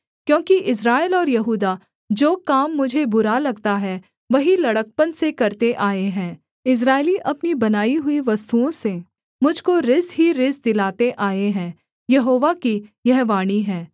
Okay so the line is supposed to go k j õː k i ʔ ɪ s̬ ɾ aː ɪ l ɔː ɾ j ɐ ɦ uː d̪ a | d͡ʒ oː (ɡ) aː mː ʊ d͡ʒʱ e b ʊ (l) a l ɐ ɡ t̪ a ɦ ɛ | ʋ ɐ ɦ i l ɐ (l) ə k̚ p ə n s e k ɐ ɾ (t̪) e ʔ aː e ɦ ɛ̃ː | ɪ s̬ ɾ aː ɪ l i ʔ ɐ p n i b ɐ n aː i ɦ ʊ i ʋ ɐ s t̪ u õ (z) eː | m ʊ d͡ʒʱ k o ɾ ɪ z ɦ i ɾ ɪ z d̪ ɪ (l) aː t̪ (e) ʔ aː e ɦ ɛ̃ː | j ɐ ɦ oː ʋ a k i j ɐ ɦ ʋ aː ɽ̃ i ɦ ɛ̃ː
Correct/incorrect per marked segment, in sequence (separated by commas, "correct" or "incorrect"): incorrect, incorrect, incorrect, correct, incorrect, correct, correct